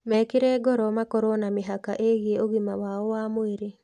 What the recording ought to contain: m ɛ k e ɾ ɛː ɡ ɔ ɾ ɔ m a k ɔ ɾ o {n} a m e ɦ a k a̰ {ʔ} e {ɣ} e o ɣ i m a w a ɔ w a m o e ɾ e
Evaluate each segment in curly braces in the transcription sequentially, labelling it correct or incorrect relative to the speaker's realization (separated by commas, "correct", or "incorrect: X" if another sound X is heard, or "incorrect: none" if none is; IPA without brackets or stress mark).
correct, correct, correct